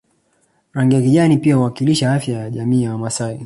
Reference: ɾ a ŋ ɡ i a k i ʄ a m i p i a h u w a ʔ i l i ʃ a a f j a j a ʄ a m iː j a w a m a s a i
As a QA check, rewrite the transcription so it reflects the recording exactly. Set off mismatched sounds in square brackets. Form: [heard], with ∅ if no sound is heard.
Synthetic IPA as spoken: ɾ a ŋ ɡ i a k i ʄ a [n] i p i a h u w a [k] i l i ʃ a a f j a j a ʄ a m iː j a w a m a s a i